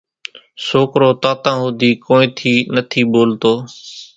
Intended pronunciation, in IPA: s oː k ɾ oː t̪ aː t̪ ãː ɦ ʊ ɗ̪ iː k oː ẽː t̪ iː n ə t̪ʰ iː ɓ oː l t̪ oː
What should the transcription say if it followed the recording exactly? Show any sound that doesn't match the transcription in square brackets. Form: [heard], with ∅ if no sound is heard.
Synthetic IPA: s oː k ɾ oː t̪ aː t̪ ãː ɦ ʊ [d̪] iː k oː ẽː [t̪ʰ] iː n ə t̪ʰ iː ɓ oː l t̪ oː